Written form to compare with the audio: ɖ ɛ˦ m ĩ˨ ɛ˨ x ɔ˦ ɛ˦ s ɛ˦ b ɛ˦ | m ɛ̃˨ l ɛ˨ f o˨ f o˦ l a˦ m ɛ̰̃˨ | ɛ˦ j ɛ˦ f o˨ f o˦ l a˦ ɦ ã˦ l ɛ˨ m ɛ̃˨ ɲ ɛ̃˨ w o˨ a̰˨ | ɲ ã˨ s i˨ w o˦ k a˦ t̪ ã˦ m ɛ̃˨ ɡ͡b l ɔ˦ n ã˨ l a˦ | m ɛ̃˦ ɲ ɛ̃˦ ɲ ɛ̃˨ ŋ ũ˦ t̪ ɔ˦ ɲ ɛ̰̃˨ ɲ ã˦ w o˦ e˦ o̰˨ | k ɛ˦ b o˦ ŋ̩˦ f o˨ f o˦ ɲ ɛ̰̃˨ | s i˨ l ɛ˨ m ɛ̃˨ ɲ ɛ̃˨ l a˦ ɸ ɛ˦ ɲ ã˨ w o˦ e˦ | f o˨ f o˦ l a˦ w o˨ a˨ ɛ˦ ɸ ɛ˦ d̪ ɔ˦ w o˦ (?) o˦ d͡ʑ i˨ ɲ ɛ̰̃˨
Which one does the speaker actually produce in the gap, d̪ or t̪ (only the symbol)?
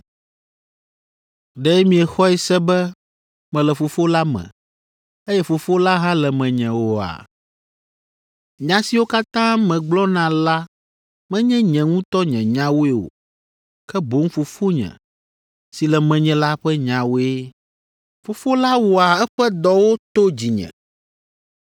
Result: t̪